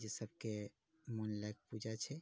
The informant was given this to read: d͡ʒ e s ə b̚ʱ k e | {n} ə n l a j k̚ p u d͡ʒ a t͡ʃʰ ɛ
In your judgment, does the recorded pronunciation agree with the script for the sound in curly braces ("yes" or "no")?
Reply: no